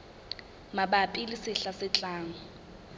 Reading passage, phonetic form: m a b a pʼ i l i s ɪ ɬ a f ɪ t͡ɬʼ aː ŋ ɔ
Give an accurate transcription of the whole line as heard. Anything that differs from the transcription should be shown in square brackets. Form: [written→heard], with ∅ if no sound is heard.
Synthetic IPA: m a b a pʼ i l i s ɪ ɬ a [f→s] ɪ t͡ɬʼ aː ŋ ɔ

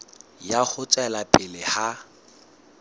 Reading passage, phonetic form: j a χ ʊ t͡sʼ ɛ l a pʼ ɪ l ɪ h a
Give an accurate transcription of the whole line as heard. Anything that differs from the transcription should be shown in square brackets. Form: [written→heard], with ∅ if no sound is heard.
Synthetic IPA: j a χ ʊ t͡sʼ ɛ l a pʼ ɪ l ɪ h a

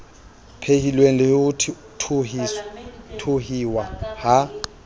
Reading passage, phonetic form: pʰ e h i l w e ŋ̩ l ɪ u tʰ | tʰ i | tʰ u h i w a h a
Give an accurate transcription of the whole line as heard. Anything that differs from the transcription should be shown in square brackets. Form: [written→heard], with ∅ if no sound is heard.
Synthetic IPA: pʰ e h i l w e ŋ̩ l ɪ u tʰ | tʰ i | tʰ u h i w a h a

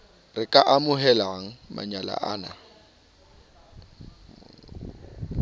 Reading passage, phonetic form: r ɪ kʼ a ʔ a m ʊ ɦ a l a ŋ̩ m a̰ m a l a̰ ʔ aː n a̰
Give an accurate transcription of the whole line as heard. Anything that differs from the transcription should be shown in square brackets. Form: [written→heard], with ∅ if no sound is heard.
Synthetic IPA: r ɪ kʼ a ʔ a m ʊ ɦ [a→ɛ] l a ŋ̩ m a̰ [m→ɲ] a l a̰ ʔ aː n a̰

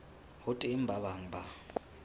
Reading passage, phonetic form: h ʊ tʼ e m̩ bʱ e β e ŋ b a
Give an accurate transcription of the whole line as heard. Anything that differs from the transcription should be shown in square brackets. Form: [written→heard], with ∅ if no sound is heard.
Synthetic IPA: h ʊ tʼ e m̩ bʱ [e→a] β [e→a] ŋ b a

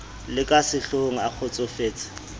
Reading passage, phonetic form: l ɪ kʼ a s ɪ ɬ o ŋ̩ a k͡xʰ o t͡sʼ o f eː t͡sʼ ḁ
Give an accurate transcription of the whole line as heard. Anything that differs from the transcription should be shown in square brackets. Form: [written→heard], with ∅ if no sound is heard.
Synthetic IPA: l ɪ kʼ a s ɪ ɬ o ŋ̩ a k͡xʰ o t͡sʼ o f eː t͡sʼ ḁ

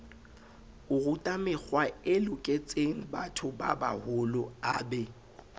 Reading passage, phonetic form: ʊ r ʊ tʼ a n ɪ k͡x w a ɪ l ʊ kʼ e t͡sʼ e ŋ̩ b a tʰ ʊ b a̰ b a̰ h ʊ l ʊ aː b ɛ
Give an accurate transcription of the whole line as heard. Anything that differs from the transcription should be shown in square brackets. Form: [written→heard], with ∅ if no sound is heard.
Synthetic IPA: ʊ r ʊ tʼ a [n→m] ɪ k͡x w a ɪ l ʊ kʼ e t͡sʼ e ŋ̩ b a tʰ ʊ b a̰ b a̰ h ʊ l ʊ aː b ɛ

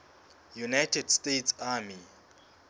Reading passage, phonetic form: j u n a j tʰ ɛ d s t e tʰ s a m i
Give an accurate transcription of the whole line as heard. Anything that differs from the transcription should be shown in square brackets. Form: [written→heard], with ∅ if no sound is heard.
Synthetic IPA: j u n a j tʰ ɛ d s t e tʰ s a m i

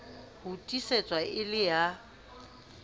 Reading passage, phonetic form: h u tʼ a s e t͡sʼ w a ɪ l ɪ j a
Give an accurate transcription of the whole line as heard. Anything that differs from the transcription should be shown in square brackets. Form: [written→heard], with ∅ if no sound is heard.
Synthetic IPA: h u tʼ [a→i] s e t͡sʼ w a ɪ l ɪ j a

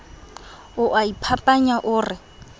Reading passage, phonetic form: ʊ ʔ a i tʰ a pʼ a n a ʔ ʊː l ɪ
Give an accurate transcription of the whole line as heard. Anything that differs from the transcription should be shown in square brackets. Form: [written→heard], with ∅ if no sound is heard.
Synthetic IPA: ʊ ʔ a i [tʰ→pʰ] a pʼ a [n→ɲ] a ʔ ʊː [l→r] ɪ

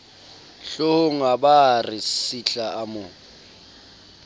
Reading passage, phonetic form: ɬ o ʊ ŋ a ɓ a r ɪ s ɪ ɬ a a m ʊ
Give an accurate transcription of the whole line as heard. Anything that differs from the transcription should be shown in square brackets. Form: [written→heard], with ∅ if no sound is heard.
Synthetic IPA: ɬ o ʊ ŋ a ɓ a r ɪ s [ɪ→i] ɬ a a m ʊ

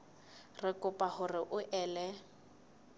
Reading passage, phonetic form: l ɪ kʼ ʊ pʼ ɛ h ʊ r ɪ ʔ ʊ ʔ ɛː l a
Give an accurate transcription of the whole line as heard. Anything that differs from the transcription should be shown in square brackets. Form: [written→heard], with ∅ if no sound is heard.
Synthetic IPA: [l→r] ɪ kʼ ʊ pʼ [ɛ→a] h ʊ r ɪ ʔ ʊ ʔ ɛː l [a→ɛ]

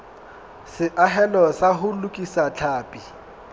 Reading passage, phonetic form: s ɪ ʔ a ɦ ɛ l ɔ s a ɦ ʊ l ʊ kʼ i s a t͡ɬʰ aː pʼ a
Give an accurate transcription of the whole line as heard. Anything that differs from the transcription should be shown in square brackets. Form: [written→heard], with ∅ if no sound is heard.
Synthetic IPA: s ɪ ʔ a ɦ ɛ l ɔ s a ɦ ʊ l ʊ kʼ i s a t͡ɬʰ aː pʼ [a→i]

